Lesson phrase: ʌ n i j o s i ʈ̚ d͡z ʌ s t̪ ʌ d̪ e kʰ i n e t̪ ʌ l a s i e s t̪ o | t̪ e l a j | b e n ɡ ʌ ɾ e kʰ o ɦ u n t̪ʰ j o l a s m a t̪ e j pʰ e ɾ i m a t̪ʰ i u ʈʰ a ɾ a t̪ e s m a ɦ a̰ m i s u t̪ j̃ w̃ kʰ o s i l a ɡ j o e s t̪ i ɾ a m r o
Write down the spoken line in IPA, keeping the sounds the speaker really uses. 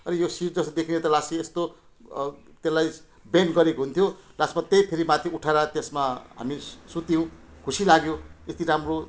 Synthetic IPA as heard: ʌ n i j o s i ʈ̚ d͡z ʌ s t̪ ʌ d̪ e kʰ i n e t̪ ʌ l a s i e s t̪ o | t̪ e l a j | b e n ɡ ʌ ɾ e k o ɦ u n t̪ʰ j o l a s m a t̪ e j pʰ e ɾ i m a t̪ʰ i u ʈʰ a ɾ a t̪ e s m a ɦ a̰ m i s u t̪ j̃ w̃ kʰ u s i l a ɡ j o e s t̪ i ɾ a m r o

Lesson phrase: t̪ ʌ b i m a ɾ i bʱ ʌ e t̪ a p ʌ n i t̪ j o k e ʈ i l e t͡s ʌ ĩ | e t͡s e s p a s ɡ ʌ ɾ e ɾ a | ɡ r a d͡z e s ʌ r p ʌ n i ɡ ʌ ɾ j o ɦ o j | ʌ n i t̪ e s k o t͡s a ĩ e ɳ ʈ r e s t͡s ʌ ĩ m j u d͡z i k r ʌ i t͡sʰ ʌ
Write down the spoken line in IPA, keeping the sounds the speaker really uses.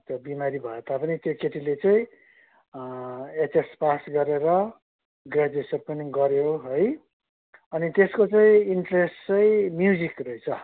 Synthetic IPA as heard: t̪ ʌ b i m a ɾ i bʱ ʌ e t̪ a p ʌ n i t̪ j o k e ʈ i l e t͡s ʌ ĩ | e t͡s e s p a s ɡ ʌ ɾ e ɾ ʌ | ɡ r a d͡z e s ʌ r p ʌ n i ɡ ʌ ɾ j o ɦ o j | ʌ n i t̪ e s k o t͡s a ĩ i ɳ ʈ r e s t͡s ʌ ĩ m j u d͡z i k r ʌ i t͡sʰ ʌ

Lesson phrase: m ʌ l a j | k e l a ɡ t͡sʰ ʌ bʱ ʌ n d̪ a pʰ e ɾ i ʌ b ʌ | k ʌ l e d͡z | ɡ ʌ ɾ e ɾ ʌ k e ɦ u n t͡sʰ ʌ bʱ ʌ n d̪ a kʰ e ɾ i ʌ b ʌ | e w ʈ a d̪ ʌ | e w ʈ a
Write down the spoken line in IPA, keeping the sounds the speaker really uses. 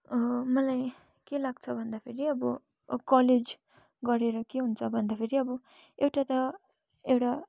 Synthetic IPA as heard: m ʌ l a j | k e l a ɡ t͡sʰ ʌ bʱ ʌ n d̪ a pʰ e ɾ i ʌ b ʌ | k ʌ l e d͡z | ɡ ʌ ɾ e ɾ ʌ k e ɦ u n t͡sʰ ʌ bʱ ʌ n d̪ a pʰ e ɾ i ʌ b ʌ | e w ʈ a t̪ ʌ | e w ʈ a

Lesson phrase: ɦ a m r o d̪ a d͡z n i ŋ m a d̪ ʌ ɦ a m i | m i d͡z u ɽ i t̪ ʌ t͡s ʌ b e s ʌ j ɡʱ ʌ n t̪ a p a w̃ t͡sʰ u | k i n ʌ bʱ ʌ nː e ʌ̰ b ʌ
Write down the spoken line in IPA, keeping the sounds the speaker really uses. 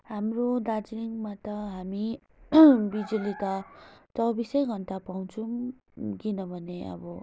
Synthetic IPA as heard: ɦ a m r o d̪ a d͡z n i ŋ m a t̪ ʌ ɦ a m i | b i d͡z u l i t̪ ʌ t͡s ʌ b i s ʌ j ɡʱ ʌ n t̪ a p a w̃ t͡sʰ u | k i n ʌ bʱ ʌ n e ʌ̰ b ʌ

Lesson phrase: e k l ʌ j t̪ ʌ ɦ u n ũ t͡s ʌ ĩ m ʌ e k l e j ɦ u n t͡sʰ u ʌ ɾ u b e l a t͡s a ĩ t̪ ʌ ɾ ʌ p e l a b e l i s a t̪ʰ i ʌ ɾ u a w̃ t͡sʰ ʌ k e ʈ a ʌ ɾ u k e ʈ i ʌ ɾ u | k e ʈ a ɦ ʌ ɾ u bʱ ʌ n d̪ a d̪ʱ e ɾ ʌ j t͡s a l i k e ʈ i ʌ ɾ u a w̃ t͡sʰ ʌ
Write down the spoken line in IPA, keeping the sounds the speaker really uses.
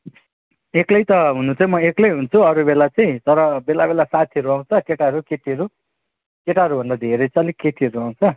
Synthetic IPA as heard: e k l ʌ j t̪ ʌ ɦ u n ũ t͡s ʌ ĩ m ʌ e k l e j ɦ u n t͡sʰ u ʌ ɾ u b e l a t͡s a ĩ t̪ ʌ ɾ ʌ b e l a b e l a s a t̪ʰ i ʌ ɾ u a w̃ t͡sʰ ʌ k e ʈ a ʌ ɾ u k e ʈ i ʌ ɾ u | k e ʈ a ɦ ʌ ɾ u bʱ ʌ n d̪ a d̪ʱ e ɾ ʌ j t͡s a l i k e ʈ i ʌ ɾ u a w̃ t͡sʰ ʌ

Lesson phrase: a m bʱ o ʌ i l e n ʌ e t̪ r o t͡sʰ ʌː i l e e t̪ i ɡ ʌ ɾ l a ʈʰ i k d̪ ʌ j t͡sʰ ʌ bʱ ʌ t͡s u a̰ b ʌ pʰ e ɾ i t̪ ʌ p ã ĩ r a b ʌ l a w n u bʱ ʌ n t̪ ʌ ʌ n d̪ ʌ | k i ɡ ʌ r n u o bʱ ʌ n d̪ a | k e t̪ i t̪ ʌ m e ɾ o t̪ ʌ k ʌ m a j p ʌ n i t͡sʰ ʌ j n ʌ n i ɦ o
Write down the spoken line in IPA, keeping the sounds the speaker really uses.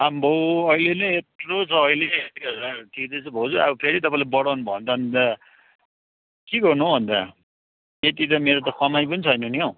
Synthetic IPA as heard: a m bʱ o ʌ i l e n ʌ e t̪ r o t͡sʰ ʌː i l e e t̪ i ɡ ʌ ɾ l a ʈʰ i k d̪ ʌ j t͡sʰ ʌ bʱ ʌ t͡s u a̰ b ʌ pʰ e ɾ i t̪ ʌ p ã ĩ l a b ʌ ɽ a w n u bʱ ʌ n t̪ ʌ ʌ n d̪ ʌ | k i ɡ ʌ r n u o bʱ ʌ n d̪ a | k e t̪ i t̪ ʌ m e ɾ o t̪ ʌ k ʌ m a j p ʌ n i t͡sʰ ʌ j n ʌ n i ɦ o

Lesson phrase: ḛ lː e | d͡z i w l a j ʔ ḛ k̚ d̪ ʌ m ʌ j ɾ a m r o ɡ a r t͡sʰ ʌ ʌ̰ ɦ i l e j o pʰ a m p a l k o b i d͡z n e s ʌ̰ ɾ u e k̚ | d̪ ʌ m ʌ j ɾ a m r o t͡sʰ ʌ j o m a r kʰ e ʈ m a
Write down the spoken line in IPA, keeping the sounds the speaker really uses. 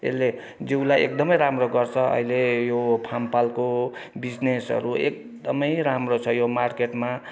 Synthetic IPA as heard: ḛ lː e | d͡z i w l a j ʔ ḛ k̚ d̪ ʌ m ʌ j ɾ a m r o ɡ ʌ r t͡sʰ ʌ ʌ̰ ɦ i l e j o pʰ a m p a l k o b i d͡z n e s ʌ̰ ɾ u e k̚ | d̪ ʌ m ʌ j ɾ a m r o t͡sʰ ʌ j o m a r k e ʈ m a

